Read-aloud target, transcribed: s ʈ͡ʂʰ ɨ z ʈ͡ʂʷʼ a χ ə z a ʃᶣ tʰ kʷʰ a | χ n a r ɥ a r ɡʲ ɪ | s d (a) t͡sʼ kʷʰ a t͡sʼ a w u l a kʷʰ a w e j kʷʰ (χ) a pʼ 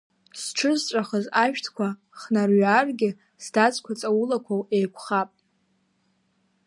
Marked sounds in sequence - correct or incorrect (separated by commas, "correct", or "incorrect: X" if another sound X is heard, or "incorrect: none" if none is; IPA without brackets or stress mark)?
correct, correct